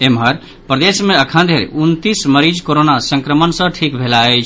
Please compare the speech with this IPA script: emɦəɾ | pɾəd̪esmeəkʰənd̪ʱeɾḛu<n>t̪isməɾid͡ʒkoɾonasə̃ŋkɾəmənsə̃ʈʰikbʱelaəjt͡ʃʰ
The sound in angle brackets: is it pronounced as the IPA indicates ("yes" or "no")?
yes